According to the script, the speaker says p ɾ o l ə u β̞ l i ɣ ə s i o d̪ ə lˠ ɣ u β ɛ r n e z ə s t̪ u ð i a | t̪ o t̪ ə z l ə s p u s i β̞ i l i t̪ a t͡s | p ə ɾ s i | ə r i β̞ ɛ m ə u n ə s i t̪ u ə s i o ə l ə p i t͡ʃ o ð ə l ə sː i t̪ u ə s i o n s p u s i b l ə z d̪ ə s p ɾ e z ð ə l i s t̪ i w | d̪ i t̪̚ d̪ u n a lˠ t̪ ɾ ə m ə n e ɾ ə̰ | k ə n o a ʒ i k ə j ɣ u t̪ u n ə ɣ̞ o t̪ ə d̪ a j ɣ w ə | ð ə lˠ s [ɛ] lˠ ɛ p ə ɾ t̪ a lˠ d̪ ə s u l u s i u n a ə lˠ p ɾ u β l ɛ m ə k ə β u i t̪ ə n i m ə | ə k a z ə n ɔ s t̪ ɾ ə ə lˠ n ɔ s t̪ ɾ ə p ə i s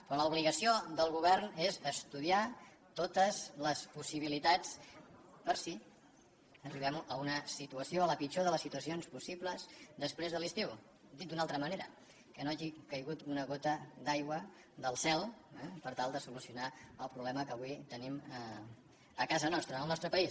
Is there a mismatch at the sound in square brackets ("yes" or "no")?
no